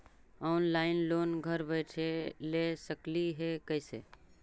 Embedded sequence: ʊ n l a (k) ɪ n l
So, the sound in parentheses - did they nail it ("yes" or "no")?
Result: no